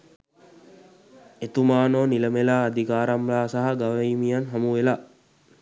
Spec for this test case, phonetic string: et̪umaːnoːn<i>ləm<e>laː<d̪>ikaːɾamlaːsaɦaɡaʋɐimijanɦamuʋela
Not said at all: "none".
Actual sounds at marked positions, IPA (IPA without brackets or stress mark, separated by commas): i, e, d̪